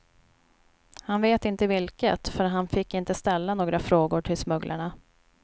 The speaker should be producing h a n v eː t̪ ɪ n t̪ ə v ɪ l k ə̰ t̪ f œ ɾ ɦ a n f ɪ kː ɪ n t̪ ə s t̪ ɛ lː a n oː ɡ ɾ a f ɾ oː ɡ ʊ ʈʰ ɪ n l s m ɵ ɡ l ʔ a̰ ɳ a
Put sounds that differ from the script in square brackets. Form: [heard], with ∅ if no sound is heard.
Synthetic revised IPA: h a n v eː t̪ ɪ n t̪ ə v ɪ l k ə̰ t̪ f œ ɾ ɦ a n f ɪ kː ɪ n t̪ ə s t̪ ɛ lː a n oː ɡ ɾ a f ɾ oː ɡ ʊ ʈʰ ɪ [∅] l s m ɵ ɡ l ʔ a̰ ɳ a